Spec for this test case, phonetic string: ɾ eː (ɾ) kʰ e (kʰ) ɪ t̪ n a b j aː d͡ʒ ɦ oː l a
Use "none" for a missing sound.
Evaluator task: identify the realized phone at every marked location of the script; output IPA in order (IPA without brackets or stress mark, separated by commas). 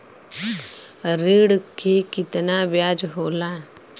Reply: ɽ, k